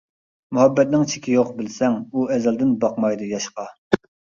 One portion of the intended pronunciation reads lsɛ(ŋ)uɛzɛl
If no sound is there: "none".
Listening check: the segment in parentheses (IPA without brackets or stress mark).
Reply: ŋ